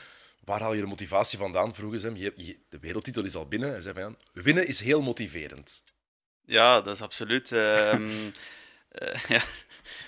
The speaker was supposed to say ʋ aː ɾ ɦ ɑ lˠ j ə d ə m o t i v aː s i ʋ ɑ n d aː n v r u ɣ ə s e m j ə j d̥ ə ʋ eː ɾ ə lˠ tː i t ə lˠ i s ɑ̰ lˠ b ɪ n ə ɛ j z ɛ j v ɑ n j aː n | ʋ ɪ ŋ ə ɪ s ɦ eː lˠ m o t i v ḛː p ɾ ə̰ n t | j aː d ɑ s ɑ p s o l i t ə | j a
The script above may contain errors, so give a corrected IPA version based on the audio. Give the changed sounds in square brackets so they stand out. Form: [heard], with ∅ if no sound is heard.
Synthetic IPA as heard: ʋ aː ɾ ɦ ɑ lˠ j ə d ə m o t i v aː s i [v] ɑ n d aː n v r u ɣ ə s [ɛ] m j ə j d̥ ə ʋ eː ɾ ə lˠ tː i t ə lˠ [ɪ] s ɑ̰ lˠ b ɪ n ə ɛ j z ɛ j v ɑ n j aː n | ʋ ɪ [n] ə ɪ s ɦ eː lˠ m o t i v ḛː [∅] ɾ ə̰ n t | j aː d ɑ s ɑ p s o l [y] t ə | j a